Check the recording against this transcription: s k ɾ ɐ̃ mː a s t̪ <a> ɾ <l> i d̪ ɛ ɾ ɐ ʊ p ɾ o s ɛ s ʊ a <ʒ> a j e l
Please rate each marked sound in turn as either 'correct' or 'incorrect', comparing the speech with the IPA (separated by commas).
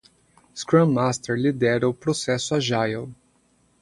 incorrect, correct, correct